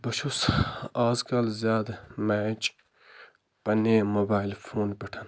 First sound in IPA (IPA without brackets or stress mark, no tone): b